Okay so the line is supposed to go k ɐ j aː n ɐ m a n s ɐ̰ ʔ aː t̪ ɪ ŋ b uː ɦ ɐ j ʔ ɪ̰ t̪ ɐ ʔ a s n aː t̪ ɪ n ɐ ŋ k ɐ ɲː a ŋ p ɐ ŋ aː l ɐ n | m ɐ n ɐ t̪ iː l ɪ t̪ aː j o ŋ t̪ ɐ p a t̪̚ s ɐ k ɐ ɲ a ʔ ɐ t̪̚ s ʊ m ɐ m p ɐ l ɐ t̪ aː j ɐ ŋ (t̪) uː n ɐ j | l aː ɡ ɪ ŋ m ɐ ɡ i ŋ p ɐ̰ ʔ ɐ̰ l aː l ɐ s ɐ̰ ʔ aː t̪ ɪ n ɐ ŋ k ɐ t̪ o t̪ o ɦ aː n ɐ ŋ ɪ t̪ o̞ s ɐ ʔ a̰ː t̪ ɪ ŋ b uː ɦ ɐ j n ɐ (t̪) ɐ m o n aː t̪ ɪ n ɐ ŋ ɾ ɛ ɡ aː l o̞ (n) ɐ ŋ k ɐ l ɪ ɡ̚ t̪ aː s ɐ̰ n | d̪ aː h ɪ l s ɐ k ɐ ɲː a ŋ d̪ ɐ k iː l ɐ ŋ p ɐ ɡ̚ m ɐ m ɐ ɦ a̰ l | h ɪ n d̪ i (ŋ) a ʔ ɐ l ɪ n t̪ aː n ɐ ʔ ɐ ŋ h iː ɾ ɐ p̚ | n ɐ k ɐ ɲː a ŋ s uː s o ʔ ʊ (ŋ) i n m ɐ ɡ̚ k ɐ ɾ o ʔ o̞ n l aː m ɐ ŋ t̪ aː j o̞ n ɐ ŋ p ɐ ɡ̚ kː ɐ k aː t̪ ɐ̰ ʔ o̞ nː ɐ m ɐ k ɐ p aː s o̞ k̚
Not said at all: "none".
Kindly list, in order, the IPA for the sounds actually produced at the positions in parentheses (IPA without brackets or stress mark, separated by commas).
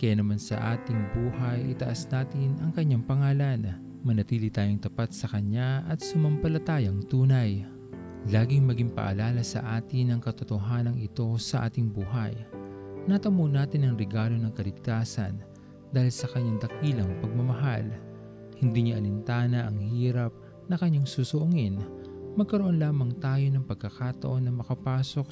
t̪, t̪, n, ɲ, ŋ